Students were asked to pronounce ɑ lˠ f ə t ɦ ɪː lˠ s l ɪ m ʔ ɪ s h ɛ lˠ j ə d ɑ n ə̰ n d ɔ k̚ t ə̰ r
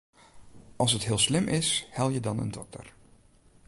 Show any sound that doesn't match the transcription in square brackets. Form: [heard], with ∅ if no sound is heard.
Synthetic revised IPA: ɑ lˠ [s] ə t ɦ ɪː lˠ s l ɪ m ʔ ɪ s h ɛ lˠ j ə d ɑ n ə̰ n d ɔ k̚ t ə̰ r